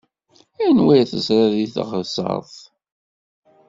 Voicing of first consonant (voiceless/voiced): voiced